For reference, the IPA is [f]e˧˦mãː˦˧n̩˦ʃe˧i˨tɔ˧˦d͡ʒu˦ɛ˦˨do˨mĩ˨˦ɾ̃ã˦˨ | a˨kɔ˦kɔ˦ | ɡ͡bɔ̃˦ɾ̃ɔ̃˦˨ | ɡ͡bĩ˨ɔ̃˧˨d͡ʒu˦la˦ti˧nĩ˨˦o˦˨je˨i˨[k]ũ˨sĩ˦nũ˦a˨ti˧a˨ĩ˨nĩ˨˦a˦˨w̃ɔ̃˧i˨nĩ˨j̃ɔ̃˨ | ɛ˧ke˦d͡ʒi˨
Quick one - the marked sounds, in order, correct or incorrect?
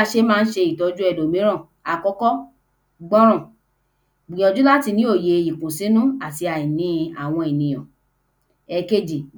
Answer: incorrect: ʃ, correct

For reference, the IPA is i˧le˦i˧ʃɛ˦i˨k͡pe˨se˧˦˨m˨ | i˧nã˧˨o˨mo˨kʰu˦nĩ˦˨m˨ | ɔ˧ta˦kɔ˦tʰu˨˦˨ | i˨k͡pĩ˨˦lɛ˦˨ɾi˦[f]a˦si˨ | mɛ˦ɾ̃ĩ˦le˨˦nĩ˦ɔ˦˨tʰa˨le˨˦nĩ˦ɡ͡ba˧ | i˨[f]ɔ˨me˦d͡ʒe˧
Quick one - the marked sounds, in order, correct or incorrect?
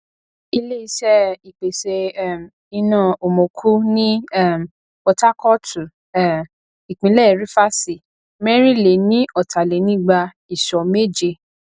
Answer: correct, incorrect: ʃ

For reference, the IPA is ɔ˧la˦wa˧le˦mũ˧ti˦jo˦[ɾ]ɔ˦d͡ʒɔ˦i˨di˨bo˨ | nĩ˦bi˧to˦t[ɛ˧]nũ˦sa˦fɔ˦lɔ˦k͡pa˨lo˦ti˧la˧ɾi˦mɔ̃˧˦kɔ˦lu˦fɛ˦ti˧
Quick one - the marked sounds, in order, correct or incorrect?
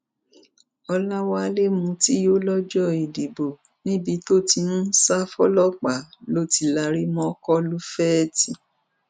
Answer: incorrect: l, incorrect: i˧

